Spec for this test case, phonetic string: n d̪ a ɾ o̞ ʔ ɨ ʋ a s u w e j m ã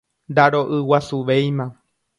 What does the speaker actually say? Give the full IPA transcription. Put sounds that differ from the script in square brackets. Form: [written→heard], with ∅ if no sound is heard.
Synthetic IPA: n d̪ a ɾ o̞ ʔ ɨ [ʋ→w] a s u [w→ʋ] e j m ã